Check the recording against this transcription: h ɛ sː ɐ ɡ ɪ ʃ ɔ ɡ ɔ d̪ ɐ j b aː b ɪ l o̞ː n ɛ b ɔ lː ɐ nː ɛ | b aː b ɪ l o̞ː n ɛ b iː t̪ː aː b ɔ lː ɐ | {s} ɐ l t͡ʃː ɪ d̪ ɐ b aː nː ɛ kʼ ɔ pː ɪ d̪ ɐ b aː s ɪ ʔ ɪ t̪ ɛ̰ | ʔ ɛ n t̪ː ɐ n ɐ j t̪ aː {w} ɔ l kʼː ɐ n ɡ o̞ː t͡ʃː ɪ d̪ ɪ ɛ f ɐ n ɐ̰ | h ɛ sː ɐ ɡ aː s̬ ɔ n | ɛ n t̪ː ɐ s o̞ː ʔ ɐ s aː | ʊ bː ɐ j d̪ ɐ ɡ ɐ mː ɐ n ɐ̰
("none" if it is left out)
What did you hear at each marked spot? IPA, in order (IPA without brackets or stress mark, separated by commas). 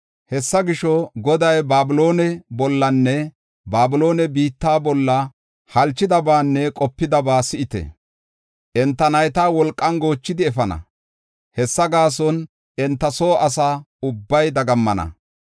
h, w